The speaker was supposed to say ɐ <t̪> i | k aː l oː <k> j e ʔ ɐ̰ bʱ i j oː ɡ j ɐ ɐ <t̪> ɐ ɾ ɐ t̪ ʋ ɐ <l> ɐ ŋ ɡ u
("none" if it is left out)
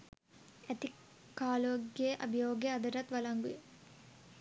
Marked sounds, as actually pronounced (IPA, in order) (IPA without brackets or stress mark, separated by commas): t̪, ɡ, d̪, l